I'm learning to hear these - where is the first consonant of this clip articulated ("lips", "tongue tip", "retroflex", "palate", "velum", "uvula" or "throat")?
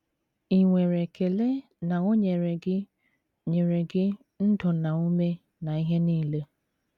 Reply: velum